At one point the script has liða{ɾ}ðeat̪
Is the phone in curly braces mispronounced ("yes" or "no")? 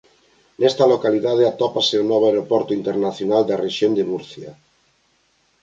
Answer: yes